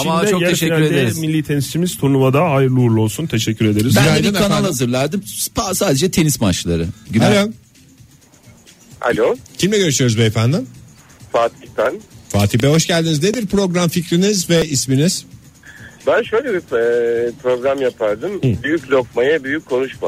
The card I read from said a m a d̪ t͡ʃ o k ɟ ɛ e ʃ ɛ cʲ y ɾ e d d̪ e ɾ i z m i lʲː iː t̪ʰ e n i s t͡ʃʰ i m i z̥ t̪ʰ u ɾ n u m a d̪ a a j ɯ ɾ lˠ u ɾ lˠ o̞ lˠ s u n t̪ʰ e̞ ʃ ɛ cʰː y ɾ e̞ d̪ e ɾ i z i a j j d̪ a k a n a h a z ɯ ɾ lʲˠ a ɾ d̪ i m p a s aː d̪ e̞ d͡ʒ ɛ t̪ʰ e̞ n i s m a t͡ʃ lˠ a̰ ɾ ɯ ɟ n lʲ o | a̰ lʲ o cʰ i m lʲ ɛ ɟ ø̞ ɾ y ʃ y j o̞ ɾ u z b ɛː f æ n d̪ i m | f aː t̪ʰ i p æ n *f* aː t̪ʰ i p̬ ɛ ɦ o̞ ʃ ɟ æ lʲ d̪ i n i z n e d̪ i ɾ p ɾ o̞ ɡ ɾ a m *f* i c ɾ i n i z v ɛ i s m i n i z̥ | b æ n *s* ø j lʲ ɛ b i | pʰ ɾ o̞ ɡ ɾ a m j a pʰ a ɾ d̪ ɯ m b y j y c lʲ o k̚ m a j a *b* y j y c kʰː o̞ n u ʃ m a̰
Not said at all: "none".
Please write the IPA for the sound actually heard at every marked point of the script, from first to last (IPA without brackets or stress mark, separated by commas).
f, f, ʃ, b